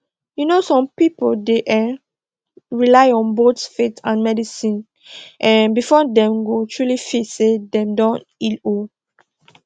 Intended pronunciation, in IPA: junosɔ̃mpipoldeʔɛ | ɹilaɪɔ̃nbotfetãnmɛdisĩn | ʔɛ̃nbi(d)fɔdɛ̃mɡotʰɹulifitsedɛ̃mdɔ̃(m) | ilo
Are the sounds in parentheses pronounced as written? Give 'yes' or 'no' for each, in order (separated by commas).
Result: no, no